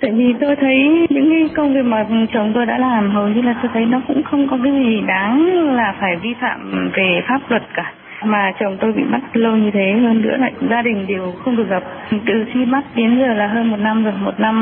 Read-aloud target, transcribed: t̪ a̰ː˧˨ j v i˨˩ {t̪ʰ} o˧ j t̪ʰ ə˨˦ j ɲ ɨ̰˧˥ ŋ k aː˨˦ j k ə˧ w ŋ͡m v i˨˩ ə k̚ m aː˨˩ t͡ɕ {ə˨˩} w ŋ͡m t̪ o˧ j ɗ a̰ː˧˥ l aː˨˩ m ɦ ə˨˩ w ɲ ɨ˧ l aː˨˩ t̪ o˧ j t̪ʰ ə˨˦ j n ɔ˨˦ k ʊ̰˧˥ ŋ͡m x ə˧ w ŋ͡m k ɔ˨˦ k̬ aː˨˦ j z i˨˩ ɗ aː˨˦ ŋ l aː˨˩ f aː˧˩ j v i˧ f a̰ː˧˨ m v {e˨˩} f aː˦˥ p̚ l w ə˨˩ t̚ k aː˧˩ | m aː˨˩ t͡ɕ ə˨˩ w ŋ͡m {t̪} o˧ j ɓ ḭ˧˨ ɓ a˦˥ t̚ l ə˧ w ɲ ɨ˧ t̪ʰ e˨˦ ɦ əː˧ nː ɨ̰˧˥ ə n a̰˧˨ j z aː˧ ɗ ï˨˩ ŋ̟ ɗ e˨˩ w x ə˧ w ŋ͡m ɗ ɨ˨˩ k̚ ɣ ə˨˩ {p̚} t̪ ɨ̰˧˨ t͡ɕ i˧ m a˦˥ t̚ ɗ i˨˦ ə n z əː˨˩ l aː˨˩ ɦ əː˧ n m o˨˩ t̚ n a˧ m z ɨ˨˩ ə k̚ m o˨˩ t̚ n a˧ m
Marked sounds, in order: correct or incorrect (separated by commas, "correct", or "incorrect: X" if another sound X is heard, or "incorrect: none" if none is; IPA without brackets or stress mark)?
incorrect: t̪, correct, correct, correct, correct